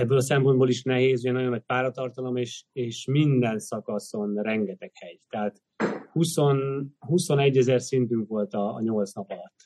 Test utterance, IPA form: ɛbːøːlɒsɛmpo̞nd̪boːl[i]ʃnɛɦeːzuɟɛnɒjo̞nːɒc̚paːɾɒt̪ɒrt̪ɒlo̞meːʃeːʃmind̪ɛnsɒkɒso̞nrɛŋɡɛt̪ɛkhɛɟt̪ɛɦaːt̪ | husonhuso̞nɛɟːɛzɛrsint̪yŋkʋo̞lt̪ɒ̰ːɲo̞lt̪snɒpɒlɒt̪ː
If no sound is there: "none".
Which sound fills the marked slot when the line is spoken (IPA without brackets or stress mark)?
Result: i